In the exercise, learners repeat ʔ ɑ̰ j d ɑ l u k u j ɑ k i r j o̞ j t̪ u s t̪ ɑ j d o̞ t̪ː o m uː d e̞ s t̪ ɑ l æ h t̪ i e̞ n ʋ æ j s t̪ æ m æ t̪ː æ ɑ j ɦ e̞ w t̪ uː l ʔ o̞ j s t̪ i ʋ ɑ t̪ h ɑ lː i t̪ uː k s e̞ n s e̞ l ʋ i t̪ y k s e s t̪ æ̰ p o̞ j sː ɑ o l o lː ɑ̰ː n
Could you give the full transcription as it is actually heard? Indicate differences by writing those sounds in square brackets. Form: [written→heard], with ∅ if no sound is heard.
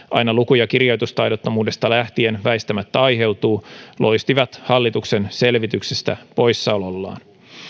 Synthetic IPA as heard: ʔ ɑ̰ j [d→n] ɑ l u k u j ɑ k i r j o̞ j t̪ u s t̪ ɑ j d o̞ t̪ː o m uː d e̞ s t̪ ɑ l æ h t̪ i e̞ n ʋ æ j s t̪ æ m æ t̪ː æ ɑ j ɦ e̞ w t̪ uː l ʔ o̞ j s t̪ i ʋ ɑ t̪ h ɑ lː i t̪ [uː→u] k s e̞ n s e̞ l ʋ i t̪ y k s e s t̪ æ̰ p o̞ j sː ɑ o l o lː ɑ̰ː n